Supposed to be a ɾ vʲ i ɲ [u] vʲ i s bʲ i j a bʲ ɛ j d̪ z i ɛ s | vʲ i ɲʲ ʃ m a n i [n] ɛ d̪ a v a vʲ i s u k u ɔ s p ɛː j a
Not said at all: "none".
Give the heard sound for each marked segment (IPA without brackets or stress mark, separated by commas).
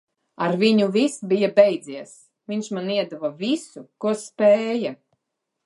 u, none